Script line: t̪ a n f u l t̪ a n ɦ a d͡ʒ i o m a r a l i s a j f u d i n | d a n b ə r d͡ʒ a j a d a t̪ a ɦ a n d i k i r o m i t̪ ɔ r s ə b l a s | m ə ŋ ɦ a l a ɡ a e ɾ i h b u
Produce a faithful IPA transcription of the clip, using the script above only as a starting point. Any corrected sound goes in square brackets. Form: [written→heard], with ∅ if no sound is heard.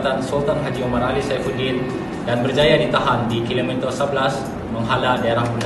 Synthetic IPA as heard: t̪ a n [f→s] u l t̪ a n ɦ a d͡ʒ i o m a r a l i s a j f u d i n | d a n b ə r d͡ʒ a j a d [a→i] t̪ a ɦ a n d i k i [r→l] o m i t̪ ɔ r s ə b l a s | m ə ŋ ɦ a l a [ɡ→d] a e ɾ [i→a] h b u